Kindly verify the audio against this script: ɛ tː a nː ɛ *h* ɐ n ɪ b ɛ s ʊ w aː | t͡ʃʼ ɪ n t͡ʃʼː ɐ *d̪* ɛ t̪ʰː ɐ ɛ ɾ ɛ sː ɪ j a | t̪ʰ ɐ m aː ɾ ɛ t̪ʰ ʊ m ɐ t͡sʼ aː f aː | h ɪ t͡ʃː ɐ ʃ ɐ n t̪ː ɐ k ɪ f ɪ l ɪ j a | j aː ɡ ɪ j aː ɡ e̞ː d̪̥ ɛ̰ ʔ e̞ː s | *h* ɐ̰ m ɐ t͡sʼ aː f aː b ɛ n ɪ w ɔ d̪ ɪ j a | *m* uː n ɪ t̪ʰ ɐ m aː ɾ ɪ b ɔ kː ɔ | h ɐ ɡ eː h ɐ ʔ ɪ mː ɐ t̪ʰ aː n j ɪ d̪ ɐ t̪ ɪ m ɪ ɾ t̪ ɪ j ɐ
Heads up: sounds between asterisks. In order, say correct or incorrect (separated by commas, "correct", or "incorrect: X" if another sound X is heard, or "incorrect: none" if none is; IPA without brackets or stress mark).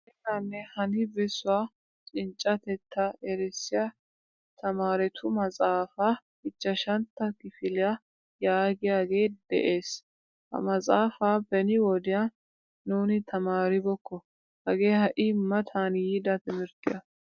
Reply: correct, incorrect: t̪, correct, incorrect: n